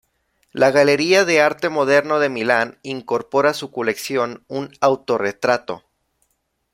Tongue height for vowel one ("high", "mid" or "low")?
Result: low